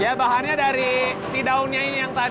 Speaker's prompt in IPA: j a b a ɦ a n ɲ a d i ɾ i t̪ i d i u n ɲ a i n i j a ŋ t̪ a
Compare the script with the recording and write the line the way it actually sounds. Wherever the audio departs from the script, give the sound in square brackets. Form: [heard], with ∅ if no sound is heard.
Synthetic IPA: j a b a ɦ a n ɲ a d [a] ɾ i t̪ i d [a] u n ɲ a i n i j a ŋ t̪ a